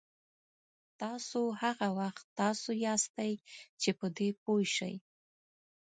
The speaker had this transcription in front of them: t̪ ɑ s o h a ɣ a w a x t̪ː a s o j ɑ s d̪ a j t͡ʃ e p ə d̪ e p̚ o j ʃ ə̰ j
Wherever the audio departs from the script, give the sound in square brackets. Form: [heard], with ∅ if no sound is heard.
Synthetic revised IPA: t̪ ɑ s o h a ɣ a w a x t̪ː [ɑ] s o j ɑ s [t̪] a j t͡ʃ e p ə d̪ e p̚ o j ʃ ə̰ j